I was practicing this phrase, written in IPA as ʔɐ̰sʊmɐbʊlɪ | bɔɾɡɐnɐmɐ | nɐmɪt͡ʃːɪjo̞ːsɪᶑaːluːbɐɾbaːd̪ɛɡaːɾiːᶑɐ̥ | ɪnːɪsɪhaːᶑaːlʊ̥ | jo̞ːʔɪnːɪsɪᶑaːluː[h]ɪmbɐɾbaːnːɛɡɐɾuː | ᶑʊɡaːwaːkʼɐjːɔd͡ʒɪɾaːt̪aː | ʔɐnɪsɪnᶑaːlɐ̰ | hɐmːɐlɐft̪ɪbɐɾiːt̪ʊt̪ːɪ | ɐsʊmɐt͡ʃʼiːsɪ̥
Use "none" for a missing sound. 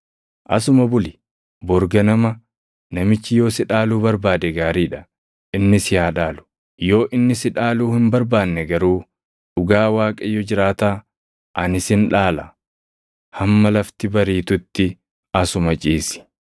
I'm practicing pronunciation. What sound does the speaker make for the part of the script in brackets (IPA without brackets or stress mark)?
h